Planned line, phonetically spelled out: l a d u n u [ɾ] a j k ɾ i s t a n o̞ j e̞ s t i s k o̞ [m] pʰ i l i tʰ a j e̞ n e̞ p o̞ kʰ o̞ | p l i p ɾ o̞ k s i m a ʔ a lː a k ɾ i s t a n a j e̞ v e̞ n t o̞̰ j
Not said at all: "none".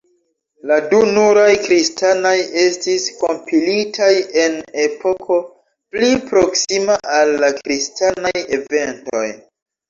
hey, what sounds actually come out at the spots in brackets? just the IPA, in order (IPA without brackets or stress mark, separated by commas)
ɾ, m